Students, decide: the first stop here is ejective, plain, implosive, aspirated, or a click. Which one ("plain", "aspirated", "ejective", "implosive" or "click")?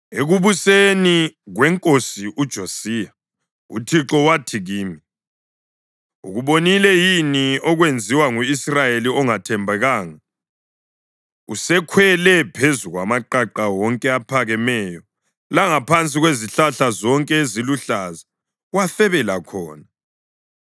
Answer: ejective